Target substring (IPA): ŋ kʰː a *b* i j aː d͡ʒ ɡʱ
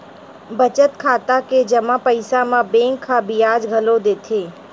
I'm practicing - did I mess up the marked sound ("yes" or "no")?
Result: no